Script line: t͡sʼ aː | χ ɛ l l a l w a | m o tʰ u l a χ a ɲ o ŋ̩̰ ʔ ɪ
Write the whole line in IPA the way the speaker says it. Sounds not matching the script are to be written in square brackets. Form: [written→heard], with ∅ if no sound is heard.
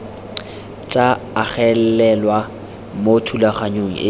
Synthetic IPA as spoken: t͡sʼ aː | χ ɛ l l [a→ɛ] l w a | m o tʰ u l a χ a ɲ o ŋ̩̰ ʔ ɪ